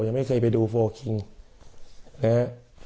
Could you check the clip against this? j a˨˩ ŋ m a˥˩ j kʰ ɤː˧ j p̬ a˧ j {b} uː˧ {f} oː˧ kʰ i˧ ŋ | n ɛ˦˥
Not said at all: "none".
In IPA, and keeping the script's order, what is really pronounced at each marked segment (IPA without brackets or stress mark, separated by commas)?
d, f